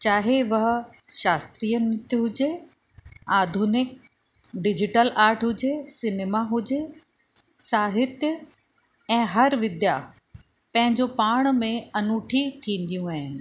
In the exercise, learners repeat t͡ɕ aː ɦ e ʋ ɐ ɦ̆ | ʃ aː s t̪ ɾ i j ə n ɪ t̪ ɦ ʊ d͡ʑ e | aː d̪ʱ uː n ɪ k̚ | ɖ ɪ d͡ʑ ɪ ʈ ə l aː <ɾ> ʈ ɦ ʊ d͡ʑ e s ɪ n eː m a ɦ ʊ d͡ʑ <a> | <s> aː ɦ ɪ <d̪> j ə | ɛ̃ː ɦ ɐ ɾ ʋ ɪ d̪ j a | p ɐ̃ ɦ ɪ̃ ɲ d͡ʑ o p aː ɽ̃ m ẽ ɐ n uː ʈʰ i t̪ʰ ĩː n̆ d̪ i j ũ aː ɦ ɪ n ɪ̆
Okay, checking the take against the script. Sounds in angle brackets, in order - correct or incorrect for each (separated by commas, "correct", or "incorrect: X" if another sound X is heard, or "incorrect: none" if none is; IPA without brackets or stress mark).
correct, incorrect: e, correct, incorrect: t̪